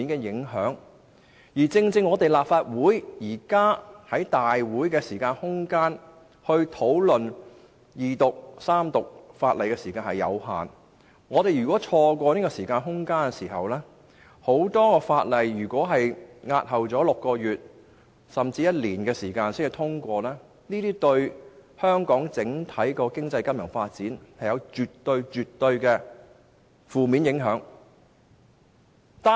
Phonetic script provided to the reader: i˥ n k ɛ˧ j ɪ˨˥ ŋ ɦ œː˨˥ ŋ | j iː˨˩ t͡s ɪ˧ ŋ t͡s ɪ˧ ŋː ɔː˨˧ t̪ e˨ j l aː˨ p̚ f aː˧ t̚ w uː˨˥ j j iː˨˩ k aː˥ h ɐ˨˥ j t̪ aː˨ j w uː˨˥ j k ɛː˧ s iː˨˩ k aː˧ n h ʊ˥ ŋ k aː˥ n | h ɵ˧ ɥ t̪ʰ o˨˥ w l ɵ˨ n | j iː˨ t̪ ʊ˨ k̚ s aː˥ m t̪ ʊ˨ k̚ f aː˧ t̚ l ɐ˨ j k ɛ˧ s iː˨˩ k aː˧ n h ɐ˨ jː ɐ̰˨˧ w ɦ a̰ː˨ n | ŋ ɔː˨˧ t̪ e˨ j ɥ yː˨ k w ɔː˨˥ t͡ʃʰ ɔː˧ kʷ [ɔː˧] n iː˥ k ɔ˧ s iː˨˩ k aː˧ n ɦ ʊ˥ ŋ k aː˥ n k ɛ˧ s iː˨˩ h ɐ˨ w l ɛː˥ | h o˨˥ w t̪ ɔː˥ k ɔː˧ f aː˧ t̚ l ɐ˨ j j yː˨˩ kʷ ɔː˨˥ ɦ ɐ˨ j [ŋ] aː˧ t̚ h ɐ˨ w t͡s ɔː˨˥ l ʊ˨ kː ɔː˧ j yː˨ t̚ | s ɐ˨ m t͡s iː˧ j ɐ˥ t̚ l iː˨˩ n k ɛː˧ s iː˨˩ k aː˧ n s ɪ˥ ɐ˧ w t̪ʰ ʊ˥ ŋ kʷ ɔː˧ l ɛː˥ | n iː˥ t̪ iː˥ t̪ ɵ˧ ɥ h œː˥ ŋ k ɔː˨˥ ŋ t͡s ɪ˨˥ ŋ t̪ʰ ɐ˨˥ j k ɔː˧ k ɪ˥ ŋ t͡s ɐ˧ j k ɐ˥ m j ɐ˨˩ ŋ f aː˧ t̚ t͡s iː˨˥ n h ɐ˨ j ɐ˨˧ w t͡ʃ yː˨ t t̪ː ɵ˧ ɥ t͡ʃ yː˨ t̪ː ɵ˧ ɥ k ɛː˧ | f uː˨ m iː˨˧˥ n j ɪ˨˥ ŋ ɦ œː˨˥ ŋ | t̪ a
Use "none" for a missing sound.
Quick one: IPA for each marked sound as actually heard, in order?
ɔː˧, ŋ

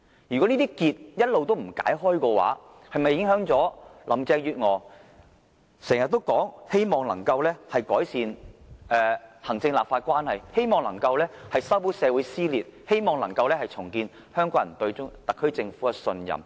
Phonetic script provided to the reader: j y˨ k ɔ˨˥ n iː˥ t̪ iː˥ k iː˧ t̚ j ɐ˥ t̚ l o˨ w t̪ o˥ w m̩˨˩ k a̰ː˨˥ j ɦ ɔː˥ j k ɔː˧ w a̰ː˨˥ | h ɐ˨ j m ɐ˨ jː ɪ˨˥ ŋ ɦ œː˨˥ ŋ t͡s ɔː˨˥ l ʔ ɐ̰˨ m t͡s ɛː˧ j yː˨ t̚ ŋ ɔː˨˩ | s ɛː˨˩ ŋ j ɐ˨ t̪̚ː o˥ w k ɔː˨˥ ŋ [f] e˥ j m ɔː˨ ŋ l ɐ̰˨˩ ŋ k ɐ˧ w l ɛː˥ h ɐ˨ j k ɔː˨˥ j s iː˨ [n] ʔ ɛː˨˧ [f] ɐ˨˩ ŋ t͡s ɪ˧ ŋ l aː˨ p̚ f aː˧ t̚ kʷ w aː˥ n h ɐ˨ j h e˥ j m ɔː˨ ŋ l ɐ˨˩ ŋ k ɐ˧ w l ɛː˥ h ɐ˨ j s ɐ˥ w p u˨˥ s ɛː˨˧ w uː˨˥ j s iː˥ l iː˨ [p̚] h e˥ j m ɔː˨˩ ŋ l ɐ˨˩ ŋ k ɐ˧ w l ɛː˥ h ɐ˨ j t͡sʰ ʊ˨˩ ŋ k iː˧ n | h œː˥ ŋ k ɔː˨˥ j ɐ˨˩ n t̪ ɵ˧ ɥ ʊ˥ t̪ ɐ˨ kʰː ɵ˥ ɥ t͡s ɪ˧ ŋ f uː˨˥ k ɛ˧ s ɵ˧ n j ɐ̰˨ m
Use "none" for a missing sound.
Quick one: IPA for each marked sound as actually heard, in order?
h, n, h, t̚

